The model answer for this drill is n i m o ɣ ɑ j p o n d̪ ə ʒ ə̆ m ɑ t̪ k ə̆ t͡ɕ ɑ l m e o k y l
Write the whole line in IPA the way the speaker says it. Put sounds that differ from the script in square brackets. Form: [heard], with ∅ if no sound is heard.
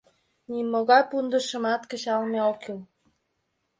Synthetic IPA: n i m o ɣ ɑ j p [u] n d̪ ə [ʃ] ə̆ m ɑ t̪ k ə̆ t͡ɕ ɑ l m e o k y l